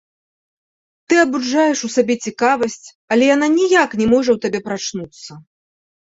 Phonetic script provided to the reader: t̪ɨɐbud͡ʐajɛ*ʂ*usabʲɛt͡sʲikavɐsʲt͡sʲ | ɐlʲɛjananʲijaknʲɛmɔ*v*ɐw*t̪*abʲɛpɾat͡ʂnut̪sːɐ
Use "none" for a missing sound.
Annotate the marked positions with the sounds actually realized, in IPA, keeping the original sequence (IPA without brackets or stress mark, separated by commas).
ʂ, ʐ, t̪